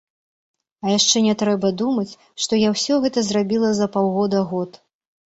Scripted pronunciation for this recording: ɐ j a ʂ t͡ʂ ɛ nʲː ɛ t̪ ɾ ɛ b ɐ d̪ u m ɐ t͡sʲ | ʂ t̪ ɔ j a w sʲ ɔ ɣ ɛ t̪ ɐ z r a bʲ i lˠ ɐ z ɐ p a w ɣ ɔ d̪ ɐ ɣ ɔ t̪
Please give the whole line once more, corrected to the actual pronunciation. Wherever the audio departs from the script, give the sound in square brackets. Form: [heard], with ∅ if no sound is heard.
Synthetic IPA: ɐ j a ʂ t͡ʂ ɛ [nʲ] ɛ t̪ ɾ ɛ b ɐ d̪ u m ɐ t͡sʲ | ʂ t̪ ɔ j a w sʲ ɔ ɣ ɛ t̪ ɐ z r a bʲ i lˠ ɐ z ɐ p a w ɣ ɔ d̪ ɐ ɣ ɔ t̪